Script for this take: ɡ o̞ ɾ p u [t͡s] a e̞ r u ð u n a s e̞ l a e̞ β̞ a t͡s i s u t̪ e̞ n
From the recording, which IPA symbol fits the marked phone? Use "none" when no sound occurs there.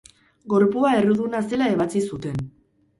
none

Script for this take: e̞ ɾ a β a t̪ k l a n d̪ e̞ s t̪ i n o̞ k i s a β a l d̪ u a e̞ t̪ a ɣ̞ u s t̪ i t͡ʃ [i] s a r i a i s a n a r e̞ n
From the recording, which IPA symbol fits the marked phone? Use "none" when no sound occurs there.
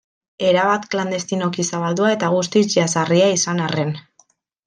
a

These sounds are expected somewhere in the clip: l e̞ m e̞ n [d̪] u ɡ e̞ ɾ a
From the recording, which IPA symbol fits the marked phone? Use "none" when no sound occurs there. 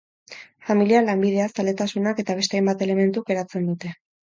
t̪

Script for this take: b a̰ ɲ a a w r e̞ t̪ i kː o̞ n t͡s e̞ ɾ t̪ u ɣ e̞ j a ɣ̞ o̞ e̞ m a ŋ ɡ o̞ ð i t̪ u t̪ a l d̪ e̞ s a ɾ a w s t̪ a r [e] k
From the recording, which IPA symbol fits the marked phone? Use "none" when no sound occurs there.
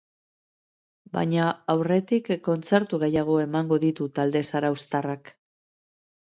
a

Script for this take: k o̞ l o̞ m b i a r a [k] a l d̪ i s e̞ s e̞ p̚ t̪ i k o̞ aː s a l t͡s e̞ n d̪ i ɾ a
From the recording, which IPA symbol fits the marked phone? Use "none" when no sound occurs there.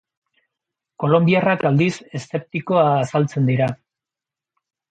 k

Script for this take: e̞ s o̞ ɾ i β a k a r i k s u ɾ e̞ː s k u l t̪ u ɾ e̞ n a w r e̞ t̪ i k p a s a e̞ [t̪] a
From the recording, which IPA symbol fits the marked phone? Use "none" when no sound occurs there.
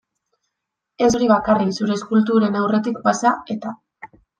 t̪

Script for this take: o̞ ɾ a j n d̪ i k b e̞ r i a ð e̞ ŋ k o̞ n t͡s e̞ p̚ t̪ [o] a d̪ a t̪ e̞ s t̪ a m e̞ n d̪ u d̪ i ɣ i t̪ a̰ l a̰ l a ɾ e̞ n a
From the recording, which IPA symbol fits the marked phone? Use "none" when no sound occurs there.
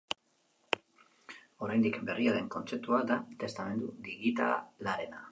u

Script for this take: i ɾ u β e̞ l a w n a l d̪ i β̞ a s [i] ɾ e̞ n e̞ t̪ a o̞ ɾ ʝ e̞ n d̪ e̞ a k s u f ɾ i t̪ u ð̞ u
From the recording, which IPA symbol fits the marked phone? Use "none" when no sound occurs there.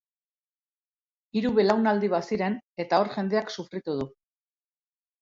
i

